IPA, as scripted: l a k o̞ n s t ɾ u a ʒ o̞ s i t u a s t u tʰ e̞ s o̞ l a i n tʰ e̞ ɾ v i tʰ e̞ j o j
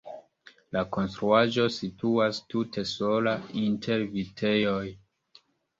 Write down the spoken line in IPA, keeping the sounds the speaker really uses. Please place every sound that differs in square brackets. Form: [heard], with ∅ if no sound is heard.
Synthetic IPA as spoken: l a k o̞ n s t ɾ u a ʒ o̞ s i t u a s t u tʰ e̞ s o̞ l a i n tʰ e̞ ɾ v i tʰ e̞ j o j